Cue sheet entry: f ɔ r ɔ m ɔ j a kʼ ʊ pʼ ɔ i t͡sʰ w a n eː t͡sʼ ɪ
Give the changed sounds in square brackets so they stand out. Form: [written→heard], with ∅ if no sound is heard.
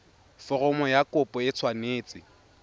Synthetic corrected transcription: f ɔ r ɔ m ɔ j a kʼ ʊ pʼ ɔ [i→ɪ] t͡sʰ w a n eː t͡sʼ ɪ

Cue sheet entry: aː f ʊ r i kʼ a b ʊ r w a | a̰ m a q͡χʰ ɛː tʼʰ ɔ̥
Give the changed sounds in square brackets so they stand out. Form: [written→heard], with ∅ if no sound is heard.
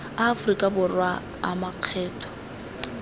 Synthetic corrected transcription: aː f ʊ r i kʼ a b ʊ r w a | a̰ m a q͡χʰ ɛː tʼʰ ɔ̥

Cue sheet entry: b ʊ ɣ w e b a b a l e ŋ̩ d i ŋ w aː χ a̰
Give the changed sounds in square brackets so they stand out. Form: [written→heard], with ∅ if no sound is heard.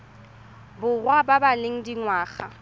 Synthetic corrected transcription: b ʊ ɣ w [e→a] b a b a l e ŋ̩ d i ŋ w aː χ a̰

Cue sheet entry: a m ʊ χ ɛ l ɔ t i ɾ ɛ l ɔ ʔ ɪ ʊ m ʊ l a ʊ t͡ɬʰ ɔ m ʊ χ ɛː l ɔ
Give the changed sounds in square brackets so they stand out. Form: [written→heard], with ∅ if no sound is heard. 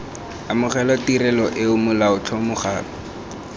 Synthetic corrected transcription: a m ʊ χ ɛ l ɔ t i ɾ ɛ l ɔ ʔ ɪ ʊ m ʊ l a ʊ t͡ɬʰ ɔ m ʊ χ [ɛː→aː] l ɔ

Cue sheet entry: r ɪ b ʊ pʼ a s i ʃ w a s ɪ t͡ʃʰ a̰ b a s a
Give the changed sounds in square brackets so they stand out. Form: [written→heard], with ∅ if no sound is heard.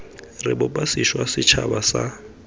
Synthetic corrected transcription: r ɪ b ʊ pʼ a s i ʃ w a s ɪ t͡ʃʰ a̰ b a s a

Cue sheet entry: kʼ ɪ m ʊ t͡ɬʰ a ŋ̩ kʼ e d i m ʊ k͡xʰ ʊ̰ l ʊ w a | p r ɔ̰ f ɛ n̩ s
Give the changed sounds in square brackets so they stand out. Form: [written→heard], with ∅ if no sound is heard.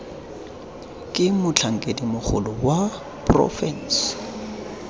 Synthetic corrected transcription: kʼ ɪ m ʊ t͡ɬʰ a ŋ̩ kʼ e d i m ʊ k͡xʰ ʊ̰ l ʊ w a | p r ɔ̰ f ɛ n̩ s

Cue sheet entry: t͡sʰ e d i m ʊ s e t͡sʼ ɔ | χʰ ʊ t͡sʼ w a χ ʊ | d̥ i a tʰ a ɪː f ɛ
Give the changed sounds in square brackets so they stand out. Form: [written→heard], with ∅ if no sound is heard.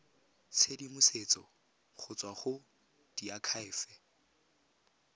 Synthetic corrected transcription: t͡sʰ e d i m ʊ s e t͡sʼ ɔ | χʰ ʊ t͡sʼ w a χ ʊ | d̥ i a [tʰ→kʰ] a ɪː f ɛ

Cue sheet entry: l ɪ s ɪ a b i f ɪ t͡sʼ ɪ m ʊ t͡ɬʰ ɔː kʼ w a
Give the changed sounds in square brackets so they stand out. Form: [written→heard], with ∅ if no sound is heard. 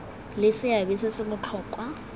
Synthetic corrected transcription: l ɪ s ɪ a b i [f→s] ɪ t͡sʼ ɪ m ʊ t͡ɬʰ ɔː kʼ w a

